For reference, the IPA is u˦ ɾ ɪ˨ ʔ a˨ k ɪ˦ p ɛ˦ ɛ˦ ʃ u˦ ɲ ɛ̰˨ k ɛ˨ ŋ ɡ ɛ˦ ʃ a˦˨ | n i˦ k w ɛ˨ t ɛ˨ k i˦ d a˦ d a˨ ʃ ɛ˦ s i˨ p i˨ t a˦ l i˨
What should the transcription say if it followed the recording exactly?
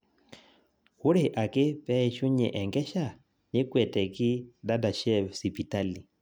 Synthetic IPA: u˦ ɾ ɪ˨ ʔ a˨ k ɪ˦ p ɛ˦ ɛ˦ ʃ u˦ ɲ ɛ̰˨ ʔ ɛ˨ ŋ ɡ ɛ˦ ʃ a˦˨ | n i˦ k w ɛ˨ t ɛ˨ k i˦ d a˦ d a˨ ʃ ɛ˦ s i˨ p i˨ t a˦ l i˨